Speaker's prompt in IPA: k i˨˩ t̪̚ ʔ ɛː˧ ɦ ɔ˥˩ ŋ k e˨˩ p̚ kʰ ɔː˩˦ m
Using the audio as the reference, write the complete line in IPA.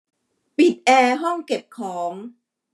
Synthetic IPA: p i˨˩ t̪̚ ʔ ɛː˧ ɦ ɔ˥˩ ŋ k e˨˩ p̚ kʰ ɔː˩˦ ŋ